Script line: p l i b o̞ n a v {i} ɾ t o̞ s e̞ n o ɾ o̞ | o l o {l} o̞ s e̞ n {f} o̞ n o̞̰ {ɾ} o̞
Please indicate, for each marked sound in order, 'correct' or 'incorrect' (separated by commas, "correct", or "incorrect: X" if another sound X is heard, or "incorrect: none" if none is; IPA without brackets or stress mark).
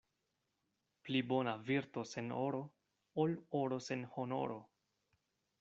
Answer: correct, incorrect: ɾ, incorrect: h, correct